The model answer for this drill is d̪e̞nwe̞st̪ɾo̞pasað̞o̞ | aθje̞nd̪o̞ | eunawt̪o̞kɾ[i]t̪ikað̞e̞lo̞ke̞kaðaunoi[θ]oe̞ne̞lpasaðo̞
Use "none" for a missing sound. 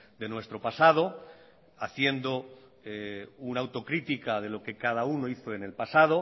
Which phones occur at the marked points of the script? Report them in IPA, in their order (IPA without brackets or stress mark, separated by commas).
i, θ